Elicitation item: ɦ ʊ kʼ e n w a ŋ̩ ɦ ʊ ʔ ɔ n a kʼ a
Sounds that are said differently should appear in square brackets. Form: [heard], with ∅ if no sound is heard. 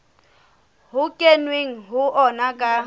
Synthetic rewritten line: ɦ ʊ kʼ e n w [e] ŋ̩ ɦ ʊ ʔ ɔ n a kʼ a